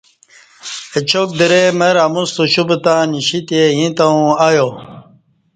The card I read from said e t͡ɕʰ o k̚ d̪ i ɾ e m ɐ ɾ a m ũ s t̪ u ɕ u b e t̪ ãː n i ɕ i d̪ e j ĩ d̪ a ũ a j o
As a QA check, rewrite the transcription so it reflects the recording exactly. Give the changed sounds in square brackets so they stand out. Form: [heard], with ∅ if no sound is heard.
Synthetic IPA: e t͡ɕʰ o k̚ d̪ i ɾ e m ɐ ɾ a m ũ s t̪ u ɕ u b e t̪ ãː n i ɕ i [t̪] e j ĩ [t̪] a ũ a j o